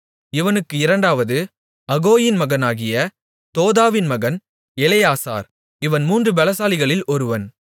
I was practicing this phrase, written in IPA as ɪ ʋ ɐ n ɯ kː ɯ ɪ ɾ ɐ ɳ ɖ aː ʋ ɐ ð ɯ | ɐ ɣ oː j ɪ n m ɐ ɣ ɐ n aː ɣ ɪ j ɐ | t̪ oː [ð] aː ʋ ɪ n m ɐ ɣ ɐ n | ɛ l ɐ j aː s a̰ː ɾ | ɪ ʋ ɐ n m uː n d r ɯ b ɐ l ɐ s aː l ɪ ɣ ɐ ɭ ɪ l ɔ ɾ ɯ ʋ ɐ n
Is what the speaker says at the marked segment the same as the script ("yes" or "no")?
yes